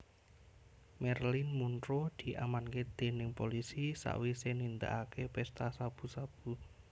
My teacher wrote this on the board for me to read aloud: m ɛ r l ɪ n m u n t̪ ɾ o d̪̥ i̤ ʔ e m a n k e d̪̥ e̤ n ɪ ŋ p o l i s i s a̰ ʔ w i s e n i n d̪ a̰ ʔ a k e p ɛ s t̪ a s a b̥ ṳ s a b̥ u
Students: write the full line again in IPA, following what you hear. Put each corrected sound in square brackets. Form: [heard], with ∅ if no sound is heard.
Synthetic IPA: m ɛ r l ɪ n m u n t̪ ɾ o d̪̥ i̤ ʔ [a] m a n k e d̪̥ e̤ n ɪ ŋ p o l i s i s a̰ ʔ w i s e n i n d̪ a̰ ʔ a k e p ɛ s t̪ a s a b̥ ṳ s a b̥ u